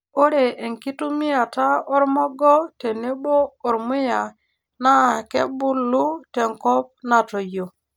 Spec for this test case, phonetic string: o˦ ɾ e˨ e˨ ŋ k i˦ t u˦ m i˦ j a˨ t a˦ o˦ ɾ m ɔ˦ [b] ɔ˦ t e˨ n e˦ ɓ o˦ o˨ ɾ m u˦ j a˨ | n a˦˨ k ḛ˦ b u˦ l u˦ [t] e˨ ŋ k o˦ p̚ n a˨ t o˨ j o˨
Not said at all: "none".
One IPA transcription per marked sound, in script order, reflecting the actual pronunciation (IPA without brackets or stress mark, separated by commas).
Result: ɡ, t